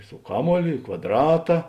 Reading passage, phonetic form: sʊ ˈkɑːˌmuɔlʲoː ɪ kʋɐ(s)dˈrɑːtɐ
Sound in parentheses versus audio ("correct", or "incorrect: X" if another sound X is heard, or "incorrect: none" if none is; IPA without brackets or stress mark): incorrect: none